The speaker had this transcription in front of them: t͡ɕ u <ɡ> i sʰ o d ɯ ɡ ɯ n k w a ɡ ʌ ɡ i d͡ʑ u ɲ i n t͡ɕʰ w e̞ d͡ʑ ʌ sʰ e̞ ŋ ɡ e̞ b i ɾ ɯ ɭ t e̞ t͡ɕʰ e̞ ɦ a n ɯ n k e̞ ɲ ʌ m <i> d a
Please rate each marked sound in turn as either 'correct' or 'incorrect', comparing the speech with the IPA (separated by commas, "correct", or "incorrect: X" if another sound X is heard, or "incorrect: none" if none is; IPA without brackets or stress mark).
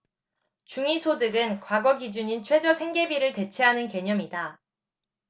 incorrect: ŋ, correct